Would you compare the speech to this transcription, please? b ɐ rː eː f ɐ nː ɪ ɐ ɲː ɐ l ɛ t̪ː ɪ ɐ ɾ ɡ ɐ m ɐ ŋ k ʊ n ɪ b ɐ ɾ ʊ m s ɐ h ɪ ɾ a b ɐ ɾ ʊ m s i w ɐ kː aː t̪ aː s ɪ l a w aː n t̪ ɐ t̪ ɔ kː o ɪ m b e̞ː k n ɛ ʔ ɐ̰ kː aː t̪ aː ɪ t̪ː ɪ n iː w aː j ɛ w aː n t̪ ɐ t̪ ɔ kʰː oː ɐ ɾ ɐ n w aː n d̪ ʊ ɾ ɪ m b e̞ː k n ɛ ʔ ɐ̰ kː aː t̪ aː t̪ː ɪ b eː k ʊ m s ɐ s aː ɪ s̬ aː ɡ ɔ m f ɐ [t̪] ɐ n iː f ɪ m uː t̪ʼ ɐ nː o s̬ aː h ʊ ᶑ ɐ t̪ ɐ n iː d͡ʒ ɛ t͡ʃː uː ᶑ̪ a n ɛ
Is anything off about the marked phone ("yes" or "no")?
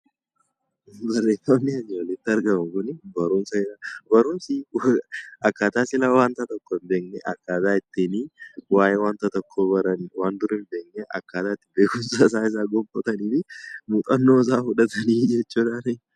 no